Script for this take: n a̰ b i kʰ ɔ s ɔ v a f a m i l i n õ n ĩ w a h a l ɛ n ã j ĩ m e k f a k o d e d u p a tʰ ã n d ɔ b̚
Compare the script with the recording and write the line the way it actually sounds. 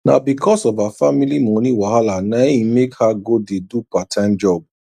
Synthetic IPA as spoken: n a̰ b i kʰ ɔ s ɔ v a f a m i l i m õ n ĩ w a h a l a n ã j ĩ m e k h a ɡ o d e d u p a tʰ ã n d͡ʒ ɔ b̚